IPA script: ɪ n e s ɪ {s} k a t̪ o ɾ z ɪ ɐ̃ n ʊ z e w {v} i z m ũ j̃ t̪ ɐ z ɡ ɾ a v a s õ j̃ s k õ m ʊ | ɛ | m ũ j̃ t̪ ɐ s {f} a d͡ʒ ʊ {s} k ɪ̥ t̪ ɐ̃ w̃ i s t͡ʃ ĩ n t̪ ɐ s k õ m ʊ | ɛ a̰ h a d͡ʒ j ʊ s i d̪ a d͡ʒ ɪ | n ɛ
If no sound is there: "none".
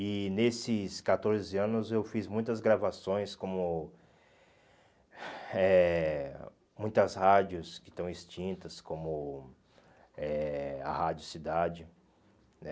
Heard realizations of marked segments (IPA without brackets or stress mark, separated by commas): s, f, h, s